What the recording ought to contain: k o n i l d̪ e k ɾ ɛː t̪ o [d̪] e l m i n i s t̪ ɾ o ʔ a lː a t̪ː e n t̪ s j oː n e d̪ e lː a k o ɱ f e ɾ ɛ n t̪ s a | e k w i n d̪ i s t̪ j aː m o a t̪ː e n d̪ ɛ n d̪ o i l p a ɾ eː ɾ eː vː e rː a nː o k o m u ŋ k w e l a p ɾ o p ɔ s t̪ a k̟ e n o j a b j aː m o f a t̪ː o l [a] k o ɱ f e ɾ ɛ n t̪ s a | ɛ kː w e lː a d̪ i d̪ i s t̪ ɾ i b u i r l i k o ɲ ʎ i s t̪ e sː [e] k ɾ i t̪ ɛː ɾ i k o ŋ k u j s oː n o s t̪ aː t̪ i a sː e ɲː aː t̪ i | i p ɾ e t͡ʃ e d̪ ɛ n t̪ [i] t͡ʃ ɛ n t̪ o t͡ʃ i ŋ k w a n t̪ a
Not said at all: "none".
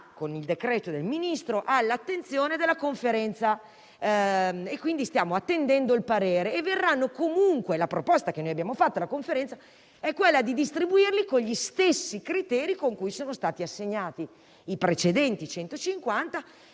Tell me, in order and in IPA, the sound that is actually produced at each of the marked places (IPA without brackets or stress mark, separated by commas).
d̪, a, i, i